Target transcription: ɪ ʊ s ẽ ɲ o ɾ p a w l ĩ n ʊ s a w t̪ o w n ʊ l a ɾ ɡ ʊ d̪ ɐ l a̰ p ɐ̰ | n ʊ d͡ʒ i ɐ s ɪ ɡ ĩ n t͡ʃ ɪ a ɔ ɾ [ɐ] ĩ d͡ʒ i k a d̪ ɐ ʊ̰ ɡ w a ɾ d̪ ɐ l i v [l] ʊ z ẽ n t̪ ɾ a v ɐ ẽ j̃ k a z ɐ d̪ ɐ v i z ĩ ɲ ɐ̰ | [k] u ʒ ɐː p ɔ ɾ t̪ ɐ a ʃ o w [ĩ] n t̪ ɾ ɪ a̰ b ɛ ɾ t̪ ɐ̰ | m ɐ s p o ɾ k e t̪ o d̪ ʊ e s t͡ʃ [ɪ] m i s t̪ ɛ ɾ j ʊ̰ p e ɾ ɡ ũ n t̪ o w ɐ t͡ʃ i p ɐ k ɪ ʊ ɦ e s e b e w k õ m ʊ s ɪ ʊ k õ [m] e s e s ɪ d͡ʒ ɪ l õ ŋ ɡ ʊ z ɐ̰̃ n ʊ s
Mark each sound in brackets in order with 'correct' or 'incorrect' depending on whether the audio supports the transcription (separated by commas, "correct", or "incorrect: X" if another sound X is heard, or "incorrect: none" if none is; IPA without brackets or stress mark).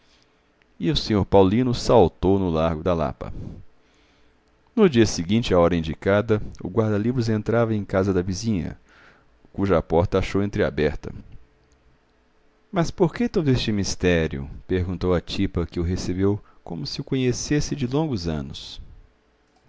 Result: correct, incorrect: ɾ, correct, incorrect: ẽ, correct, incorrect: ɲ